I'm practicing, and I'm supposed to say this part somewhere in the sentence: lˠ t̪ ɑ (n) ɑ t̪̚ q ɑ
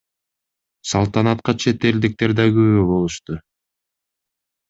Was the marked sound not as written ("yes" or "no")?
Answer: no